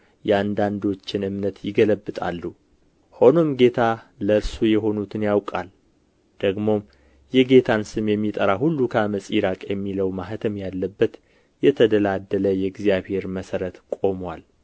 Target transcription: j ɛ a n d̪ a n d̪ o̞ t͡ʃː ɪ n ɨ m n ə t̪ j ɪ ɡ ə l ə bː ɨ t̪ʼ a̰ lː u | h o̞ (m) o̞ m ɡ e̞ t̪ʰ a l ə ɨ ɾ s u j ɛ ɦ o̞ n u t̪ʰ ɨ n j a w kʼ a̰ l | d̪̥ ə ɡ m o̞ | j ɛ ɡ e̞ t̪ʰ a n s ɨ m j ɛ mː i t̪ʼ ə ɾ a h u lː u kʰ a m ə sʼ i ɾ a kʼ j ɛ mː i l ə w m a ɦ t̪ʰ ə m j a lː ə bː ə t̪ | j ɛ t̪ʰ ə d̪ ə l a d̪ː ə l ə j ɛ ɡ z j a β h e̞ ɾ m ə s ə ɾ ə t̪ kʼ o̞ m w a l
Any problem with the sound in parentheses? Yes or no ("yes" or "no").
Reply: yes